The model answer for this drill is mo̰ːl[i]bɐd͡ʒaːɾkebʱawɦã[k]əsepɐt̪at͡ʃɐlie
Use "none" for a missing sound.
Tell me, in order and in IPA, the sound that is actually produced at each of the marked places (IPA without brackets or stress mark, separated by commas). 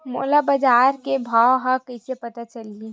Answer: a, k